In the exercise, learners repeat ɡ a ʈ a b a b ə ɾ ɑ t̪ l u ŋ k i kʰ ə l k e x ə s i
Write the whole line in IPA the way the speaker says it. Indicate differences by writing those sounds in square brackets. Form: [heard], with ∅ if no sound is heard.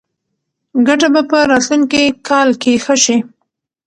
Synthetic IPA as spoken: ɡ a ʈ a b a [p] ə ɾ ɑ t̪ l u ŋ k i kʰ [ɑ] l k e x ə [ʃ] i